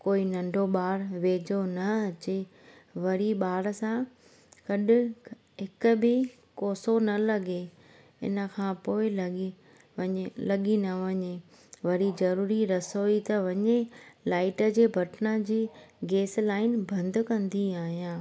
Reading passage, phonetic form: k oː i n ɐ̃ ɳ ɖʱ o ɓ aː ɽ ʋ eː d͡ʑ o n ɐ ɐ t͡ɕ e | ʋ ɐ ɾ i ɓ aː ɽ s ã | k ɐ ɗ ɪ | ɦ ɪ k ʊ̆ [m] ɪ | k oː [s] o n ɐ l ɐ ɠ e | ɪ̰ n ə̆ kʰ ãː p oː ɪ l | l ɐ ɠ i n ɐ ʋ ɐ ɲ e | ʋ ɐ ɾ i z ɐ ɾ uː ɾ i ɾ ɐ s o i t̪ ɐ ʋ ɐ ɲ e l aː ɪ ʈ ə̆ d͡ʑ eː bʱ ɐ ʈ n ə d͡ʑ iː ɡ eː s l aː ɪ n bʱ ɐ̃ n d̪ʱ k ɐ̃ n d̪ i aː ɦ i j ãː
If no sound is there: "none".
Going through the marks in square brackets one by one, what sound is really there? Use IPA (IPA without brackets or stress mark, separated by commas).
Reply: b, s